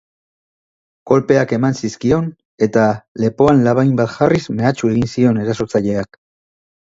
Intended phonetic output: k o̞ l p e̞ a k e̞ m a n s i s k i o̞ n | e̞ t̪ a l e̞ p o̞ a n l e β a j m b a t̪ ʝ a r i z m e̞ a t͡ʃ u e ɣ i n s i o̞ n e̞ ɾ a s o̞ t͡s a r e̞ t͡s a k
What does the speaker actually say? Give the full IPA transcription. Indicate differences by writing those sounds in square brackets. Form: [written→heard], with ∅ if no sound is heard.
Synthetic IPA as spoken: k o̞ l p e̞ a k e̞ m a n s i s k i o̞ n | e̞ t̪ a l e̞ p o̞ a n l [e→a] β a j m b a t̪ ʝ a r i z m e̞ a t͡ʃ u e ɣ i n s i o̞ n e̞ ɾ a s o̞ t͡s a [r→ʎ] e̞ [t͡s→∅] a k